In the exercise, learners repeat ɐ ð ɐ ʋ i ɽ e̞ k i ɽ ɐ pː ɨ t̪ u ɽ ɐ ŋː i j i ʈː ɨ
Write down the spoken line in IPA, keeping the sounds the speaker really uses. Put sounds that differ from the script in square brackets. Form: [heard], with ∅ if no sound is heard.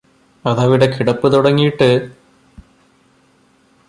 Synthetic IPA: ɐ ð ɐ ʋ i ɽ e̞ k i ɽ ɐ pː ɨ t̪ u ɽ ɐ ŋː i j i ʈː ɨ